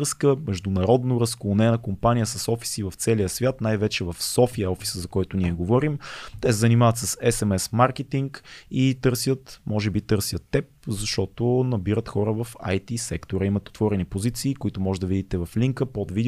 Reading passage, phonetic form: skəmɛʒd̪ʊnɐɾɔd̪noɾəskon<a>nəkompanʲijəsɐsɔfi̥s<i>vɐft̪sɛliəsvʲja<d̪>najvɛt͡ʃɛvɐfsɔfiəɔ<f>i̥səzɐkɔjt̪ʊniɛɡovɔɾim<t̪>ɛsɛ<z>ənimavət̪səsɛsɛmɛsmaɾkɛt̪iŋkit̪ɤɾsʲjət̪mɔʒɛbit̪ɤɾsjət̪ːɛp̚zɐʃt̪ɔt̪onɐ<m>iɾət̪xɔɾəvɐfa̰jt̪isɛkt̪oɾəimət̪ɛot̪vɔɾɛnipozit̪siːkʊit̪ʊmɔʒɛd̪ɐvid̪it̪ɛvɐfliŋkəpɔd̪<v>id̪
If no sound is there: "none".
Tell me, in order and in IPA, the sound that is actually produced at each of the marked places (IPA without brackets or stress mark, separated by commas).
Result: ɛ, i, t̪, f, t̪, z, b, v